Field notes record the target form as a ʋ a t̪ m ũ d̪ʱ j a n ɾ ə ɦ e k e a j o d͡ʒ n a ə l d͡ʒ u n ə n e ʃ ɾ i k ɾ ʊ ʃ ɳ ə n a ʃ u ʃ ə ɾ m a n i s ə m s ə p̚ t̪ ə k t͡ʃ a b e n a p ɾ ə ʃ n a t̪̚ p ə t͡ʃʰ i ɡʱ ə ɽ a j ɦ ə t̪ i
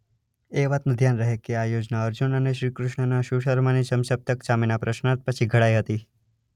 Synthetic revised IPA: e ʋ a t̪ n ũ d̪ʱ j a n ɾ ə ɦ e k e a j o d͡ʒ n a ə ɾ d͡ʒ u n ə n e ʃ ɾ i k ɾ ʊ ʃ ɳ ə n a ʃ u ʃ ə ɾ m a n i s ə m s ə p̚ t̪ ə k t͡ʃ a m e n a p ɾ ə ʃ n a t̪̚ p ə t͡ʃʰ i ɡʱ ə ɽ a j ɦ ə t̪ i